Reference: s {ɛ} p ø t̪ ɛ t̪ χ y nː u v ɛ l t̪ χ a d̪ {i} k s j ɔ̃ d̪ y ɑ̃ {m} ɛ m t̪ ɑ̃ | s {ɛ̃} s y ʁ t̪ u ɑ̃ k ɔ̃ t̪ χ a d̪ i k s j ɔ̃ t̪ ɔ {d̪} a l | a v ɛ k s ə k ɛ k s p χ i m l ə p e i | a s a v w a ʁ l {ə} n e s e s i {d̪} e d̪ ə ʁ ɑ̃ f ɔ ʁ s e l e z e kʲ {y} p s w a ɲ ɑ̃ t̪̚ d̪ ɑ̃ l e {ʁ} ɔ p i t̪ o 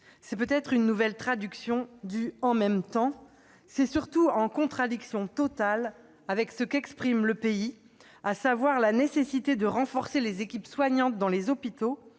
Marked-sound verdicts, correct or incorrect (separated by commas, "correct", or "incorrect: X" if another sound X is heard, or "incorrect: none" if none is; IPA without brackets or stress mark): correct, incorrect: y, correct, incorrect: ɛ, incorrect: t̪, incorrect: a, incorrect: t̪, incorrect: i, incorrect: z